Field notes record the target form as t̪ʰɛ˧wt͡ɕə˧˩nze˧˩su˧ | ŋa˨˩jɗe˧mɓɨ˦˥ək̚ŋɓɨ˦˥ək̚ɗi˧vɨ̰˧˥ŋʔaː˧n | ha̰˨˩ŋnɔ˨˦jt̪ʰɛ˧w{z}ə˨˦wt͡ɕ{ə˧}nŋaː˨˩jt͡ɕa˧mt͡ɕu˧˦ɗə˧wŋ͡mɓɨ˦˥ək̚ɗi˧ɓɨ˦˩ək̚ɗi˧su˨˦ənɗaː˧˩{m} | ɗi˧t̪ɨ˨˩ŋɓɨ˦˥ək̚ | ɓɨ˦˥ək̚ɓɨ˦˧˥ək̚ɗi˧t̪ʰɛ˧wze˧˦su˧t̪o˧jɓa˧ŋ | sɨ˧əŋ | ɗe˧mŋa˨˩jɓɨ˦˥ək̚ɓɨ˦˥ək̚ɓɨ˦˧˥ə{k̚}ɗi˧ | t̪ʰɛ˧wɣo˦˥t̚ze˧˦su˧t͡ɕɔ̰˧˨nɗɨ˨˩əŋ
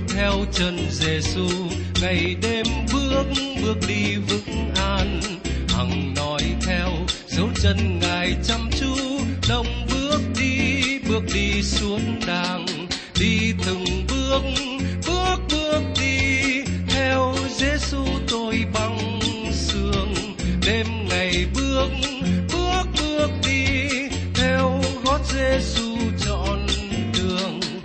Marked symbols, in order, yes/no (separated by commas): yes, yes, no, yes